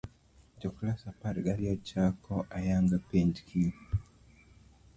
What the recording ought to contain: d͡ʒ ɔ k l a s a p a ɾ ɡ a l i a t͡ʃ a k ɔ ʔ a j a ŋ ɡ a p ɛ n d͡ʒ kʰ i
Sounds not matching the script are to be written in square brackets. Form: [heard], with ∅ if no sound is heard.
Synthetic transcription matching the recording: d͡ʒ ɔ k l a s a p a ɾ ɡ a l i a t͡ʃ a k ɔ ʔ a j a ŋ ɡ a p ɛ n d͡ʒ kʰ i